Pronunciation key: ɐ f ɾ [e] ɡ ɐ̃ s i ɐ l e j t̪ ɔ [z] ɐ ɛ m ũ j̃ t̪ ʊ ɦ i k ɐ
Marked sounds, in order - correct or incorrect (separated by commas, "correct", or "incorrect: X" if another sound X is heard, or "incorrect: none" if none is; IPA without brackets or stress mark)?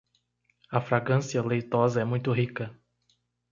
incorrect: a, correct